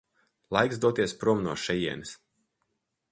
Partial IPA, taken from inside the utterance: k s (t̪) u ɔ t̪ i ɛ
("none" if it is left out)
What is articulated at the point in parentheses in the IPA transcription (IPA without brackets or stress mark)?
d̪